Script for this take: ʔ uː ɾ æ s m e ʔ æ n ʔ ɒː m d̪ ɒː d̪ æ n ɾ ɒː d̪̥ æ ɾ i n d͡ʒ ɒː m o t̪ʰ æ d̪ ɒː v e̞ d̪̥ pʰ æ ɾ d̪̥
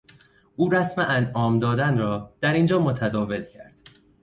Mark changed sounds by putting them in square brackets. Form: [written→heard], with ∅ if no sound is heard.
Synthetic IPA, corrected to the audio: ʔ uː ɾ æ s m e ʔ æ n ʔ ɒː m d̪ ɒː d̪ æ n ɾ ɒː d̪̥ æ ɾ i n d͡ʒ ɒː m o t̪ʰ æ d̪ ɒː v e̞ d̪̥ [pʰ→cʰ] æ ɾ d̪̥